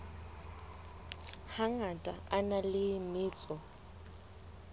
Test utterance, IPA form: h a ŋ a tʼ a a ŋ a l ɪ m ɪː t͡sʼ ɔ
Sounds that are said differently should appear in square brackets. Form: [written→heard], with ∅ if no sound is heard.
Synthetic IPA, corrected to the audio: h a ŋ a tʼ a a [ŋ→n] a l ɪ m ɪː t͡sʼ ɔ

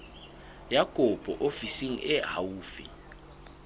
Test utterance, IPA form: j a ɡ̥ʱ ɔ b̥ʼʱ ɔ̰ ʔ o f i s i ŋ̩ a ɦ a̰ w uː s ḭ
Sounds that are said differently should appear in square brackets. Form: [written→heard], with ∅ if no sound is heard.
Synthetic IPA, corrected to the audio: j a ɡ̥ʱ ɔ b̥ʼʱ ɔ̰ ʔ o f i s i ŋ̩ [a→ɛ] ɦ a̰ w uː [s→f] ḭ

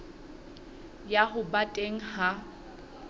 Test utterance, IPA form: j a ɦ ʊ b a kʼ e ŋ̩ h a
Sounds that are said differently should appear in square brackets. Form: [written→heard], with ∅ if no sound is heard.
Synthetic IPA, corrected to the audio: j a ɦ ʊ b a [kʼ→tʼ] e ŋ̩ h a

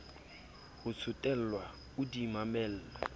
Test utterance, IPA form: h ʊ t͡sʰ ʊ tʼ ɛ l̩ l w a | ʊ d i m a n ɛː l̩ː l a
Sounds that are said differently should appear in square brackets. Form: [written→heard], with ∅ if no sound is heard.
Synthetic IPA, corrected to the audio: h ʊ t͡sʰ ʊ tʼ ɛ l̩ l w a | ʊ d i m a [n→m] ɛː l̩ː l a

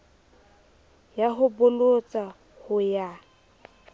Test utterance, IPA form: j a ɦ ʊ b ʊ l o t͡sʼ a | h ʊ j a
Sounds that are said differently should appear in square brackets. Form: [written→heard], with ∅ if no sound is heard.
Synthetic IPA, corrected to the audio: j a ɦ ʊ b ʊ l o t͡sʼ a | h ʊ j a

